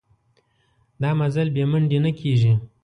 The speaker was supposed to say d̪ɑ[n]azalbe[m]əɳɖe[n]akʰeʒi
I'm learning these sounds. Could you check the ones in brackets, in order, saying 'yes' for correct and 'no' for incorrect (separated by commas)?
no, yes, yes